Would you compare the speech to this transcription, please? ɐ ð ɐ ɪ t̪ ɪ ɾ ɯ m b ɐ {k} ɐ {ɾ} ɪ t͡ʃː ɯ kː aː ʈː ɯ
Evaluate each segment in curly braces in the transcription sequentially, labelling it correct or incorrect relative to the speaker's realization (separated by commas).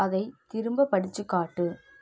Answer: incorrect, incorrect